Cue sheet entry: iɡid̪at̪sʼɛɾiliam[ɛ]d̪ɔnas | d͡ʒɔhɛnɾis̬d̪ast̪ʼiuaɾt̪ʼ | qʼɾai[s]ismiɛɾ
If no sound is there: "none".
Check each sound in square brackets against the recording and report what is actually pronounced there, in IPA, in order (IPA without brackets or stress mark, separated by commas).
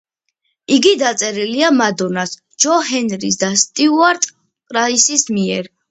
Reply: a, s